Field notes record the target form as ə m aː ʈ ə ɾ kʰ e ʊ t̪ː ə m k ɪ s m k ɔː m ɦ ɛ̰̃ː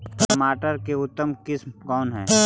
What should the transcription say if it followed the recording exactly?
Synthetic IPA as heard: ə m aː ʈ ə ɾ k e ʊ t̪ː ə m k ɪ s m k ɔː n ɦ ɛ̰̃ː

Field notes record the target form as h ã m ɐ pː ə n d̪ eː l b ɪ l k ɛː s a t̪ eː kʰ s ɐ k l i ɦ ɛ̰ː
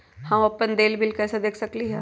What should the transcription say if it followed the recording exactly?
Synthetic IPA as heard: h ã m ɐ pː ə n d̪ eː l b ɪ l k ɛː s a d̪ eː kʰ s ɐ k l i ɦ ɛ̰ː

